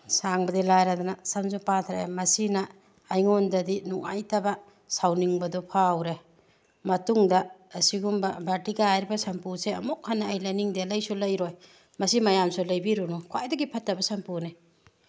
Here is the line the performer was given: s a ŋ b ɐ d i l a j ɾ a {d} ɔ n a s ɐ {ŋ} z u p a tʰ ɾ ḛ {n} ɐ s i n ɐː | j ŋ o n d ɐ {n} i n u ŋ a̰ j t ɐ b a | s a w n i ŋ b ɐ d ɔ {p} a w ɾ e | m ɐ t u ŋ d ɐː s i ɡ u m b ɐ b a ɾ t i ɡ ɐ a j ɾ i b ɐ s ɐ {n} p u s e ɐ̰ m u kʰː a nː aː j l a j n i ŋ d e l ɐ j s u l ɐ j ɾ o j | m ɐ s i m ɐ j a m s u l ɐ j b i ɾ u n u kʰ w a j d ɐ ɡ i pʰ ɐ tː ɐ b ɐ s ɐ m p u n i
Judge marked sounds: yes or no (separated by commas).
yes, no, no, no, no, no